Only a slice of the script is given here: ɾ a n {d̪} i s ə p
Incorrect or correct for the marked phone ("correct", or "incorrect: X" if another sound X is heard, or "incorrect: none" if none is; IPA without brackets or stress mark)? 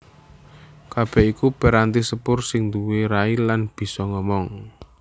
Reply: incorrect: t̪